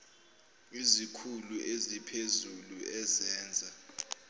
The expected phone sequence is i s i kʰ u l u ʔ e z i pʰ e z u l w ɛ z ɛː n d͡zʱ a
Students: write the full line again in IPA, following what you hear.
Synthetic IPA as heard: i z i kʰ u l u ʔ e z i pʰ e z u l u ɛ z ɛː n d͡zʱ a